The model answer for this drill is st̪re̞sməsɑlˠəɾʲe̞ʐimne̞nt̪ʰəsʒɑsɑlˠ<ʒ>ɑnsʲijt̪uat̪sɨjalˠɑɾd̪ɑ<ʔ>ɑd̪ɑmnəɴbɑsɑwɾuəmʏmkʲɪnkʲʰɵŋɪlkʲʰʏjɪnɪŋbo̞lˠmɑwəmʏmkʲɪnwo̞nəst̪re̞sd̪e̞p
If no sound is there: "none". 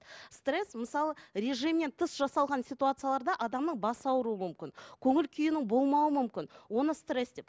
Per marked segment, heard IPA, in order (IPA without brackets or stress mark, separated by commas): ʁ, ʔ